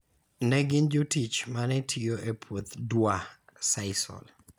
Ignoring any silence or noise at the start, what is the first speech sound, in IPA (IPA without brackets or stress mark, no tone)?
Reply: n